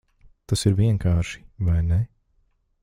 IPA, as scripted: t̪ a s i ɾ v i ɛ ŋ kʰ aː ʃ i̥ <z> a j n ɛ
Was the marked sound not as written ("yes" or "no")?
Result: yes